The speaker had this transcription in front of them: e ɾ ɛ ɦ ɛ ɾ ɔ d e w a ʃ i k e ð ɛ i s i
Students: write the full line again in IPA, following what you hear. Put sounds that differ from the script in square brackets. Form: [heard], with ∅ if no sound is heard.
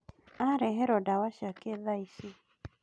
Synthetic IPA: [a] ɾ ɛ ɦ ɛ ɾ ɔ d [a] w a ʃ [a] k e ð [a] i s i